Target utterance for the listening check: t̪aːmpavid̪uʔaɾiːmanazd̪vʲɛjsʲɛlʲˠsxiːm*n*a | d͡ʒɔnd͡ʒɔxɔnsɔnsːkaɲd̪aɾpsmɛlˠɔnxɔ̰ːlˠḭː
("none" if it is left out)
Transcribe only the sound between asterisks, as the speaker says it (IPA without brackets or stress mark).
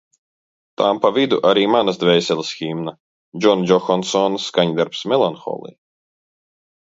n